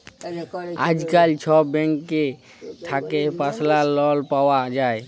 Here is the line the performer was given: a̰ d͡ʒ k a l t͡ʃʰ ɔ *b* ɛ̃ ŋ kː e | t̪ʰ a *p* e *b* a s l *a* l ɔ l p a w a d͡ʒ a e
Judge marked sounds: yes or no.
yes, no, no, yes

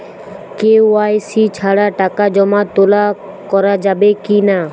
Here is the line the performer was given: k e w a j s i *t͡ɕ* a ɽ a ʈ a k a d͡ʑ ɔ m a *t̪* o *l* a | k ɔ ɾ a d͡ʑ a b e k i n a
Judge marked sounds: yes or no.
no, yes, yes

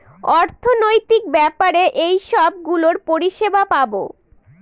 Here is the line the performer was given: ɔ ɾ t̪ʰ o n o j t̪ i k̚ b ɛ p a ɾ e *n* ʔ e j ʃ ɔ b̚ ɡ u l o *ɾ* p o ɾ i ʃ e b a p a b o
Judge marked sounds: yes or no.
no, yes

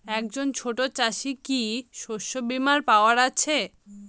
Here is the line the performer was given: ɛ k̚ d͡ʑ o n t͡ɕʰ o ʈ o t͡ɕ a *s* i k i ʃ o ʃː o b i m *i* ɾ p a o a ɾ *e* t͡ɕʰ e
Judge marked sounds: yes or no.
no, no, no

